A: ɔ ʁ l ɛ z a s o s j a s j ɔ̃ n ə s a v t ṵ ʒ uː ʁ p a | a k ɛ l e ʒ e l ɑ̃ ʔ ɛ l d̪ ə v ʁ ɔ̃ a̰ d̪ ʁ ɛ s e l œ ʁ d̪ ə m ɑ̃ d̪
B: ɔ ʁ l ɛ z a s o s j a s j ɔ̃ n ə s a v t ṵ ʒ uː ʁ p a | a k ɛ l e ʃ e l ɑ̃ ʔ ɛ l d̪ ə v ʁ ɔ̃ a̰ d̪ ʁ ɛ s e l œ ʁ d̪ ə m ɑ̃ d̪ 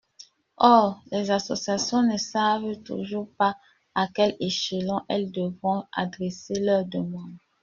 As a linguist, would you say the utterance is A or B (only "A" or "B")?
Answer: B